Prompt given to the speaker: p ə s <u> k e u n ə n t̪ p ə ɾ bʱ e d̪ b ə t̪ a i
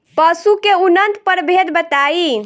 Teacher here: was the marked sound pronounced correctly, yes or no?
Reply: yes